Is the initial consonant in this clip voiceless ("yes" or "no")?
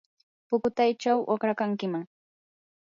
yes